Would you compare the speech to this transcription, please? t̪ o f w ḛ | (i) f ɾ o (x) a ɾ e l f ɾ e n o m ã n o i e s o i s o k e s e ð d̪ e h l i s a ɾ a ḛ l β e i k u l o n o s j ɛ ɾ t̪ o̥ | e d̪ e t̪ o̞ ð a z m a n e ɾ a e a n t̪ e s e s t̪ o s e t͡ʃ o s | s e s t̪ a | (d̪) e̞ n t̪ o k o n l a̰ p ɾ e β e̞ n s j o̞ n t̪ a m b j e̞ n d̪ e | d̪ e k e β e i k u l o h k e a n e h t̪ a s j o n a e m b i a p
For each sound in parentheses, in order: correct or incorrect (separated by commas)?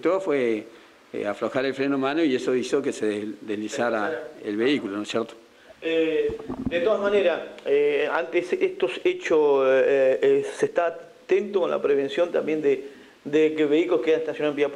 incorrect, correct, incorrect